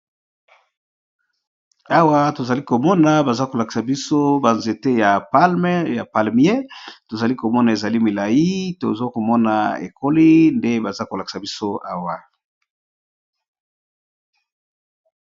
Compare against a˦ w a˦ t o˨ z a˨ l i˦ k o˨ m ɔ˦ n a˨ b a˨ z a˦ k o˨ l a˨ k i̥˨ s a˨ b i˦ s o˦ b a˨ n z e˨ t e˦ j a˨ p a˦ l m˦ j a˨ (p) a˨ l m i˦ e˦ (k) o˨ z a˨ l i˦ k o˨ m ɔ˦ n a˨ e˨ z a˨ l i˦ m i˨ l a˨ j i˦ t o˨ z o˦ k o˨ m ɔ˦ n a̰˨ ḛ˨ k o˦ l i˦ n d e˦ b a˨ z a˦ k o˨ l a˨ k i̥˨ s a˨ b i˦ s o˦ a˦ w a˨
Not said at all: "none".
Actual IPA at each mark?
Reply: p, t

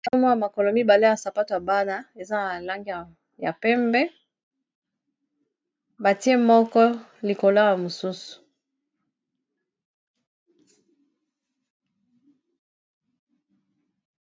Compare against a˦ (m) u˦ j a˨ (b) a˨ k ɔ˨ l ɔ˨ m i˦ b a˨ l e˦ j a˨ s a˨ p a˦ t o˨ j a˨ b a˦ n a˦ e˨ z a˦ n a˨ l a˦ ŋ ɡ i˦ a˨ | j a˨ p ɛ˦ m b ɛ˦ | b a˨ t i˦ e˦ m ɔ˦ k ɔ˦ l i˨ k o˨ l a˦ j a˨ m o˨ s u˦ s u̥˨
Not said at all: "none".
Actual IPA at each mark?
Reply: m, m

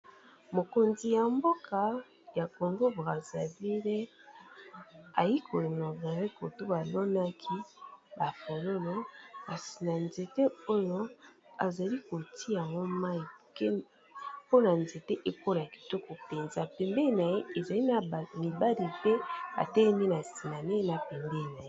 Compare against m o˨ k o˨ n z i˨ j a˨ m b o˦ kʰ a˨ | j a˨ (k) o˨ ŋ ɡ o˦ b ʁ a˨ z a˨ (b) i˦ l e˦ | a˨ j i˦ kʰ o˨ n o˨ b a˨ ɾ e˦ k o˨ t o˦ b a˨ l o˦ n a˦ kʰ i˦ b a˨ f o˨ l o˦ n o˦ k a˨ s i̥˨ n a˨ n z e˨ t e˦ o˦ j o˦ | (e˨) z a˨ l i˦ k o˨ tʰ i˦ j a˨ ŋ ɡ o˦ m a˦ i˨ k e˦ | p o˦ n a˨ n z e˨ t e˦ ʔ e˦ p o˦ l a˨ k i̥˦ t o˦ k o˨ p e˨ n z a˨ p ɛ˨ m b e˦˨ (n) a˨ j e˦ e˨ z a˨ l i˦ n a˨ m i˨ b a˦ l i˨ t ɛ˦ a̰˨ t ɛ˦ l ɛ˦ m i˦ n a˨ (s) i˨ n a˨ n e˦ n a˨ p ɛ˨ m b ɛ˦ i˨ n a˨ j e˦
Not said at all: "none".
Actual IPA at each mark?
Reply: k, v, a˨, n, s

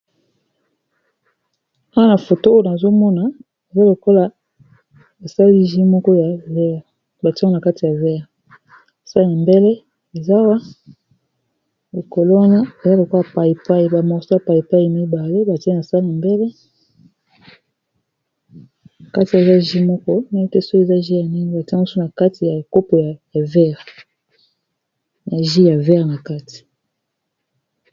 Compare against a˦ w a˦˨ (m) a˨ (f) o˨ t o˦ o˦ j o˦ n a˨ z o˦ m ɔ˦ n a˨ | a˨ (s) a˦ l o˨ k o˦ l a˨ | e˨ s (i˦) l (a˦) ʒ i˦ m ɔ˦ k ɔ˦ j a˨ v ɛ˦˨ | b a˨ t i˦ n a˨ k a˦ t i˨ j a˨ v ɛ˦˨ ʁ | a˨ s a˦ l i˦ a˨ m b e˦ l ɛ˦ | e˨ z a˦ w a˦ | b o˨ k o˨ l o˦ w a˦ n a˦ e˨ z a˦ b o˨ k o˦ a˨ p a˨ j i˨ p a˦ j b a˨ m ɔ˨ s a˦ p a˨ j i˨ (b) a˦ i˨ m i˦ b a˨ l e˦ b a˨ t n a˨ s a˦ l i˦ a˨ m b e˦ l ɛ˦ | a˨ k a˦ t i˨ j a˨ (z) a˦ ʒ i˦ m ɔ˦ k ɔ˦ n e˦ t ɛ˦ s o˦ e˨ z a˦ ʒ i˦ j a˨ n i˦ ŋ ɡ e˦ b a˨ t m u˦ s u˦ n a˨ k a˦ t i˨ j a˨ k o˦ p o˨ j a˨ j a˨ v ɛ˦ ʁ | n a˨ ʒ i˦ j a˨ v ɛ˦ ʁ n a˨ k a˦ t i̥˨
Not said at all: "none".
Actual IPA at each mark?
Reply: n, f, z, a˦, i˦, p, z

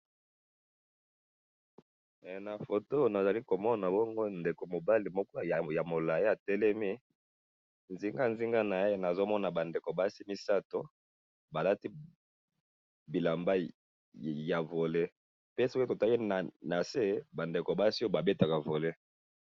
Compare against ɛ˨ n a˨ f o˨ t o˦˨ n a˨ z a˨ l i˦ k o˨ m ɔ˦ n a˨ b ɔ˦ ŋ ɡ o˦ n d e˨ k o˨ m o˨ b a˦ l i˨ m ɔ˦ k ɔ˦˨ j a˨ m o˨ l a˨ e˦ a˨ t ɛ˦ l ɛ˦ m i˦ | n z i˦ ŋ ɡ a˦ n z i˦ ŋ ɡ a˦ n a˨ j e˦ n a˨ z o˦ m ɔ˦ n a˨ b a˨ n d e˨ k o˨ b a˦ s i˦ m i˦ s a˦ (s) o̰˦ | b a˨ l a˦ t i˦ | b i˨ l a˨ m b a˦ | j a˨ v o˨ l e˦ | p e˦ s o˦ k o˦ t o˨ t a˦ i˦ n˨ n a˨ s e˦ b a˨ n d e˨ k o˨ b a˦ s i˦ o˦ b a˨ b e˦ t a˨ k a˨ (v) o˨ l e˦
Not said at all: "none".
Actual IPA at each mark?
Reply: t, v

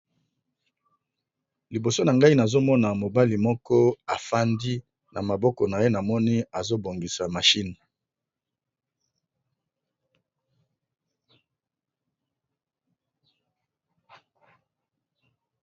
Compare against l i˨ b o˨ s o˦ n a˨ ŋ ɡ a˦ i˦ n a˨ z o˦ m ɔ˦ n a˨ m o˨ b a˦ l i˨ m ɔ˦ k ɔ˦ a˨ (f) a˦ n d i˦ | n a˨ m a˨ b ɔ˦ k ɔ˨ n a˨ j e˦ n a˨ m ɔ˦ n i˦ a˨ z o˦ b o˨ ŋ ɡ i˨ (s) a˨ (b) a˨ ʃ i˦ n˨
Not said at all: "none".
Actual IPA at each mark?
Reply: f, s, m

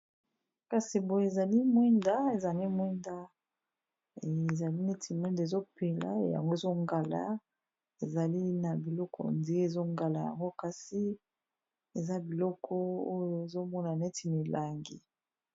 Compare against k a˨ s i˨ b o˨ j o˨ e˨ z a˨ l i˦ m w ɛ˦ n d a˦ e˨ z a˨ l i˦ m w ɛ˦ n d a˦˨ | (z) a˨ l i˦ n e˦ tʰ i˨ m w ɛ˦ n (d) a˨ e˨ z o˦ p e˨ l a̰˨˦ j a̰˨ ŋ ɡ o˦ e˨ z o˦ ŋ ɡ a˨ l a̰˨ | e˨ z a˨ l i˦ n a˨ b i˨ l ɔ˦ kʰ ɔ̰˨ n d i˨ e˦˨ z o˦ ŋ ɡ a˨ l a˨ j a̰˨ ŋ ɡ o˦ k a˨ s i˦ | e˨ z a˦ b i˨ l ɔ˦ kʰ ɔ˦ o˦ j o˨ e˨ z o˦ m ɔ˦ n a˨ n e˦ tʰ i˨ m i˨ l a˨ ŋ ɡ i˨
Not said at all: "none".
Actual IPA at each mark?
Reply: z, d

